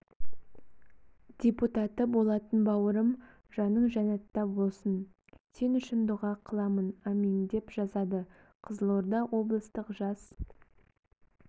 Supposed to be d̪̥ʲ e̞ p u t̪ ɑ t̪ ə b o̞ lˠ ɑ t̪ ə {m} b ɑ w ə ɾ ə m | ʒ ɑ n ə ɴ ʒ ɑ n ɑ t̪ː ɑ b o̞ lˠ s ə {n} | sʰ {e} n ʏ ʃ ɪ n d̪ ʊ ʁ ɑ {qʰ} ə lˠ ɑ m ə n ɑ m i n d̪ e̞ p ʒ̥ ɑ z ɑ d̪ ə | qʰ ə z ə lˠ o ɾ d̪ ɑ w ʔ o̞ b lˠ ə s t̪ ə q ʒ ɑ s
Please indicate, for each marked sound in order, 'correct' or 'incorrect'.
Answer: incorrect, correct, correct, correct

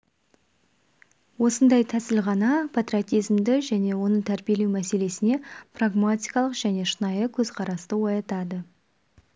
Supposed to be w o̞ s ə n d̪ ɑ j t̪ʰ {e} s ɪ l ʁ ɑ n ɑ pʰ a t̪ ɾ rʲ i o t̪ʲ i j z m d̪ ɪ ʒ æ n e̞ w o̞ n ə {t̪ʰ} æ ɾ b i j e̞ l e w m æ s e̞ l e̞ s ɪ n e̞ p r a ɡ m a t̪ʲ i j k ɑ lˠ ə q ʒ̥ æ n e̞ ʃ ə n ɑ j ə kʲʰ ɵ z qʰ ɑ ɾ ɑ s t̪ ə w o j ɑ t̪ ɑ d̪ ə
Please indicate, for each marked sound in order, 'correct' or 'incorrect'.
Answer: incorrect, correct

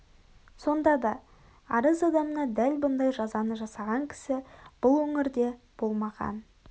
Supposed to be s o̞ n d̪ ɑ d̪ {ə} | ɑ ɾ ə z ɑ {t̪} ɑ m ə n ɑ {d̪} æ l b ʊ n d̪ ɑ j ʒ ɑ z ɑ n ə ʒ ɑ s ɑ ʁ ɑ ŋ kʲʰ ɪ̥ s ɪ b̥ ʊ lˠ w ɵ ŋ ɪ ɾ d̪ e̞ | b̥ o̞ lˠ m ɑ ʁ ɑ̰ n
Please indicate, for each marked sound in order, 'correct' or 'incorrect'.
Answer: incorrect, incorrect, correct

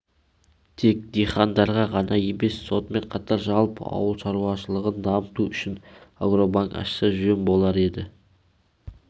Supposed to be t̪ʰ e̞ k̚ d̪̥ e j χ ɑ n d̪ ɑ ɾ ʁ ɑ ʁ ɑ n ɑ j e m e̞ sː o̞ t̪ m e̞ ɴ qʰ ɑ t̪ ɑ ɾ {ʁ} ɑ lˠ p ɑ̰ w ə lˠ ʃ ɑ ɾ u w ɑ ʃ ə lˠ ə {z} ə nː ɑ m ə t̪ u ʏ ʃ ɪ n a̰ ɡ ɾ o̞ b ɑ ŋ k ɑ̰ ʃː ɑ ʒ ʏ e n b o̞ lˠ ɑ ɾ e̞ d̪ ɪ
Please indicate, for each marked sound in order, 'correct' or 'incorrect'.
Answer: incorrect, incorrect

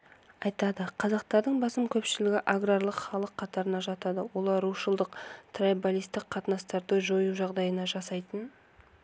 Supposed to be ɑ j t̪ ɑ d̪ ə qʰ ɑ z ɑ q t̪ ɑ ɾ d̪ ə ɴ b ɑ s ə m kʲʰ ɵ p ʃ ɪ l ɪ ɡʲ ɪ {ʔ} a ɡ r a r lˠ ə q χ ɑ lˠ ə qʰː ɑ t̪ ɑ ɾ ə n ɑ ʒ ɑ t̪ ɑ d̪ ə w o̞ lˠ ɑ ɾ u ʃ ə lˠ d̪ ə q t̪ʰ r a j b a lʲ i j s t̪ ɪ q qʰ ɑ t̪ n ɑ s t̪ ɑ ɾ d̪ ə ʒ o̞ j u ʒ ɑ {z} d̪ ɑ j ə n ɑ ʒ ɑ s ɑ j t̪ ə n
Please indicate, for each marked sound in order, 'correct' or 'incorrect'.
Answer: correct, incorrect

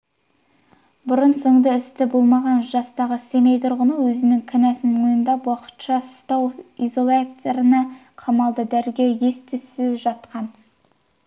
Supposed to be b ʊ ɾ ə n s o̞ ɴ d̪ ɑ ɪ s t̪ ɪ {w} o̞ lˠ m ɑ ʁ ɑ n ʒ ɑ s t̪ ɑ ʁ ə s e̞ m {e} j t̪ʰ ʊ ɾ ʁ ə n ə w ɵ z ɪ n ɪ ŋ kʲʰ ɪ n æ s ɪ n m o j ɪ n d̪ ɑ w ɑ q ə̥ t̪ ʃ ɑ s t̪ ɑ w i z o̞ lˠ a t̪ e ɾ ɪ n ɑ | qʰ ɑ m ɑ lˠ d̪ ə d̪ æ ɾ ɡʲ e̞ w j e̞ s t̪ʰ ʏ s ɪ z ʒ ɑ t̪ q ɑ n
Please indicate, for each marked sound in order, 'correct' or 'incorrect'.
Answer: incorrect, correct

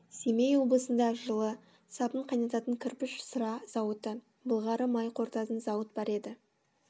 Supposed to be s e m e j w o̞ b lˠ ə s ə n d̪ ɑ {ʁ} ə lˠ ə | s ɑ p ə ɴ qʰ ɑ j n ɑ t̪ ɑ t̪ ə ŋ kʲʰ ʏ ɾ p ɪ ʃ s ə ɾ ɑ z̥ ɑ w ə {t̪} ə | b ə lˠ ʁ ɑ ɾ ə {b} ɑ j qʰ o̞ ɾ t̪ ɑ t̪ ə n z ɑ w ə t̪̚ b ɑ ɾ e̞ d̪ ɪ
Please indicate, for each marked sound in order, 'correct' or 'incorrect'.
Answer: incorrect, correct, incorrect

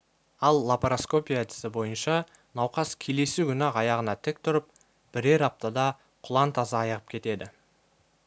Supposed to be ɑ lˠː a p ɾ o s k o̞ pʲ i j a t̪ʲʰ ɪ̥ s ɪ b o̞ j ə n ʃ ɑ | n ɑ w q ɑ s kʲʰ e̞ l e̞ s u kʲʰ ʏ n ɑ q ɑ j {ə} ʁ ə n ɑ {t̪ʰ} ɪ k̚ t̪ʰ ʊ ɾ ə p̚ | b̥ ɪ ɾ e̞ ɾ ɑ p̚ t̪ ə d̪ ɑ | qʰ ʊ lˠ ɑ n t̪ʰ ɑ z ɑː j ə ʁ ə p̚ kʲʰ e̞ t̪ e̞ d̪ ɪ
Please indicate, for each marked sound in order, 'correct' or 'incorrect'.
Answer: incorrect, correct

